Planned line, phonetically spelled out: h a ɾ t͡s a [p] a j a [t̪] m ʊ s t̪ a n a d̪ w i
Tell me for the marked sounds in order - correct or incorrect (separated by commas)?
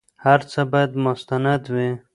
incorrect, incorrect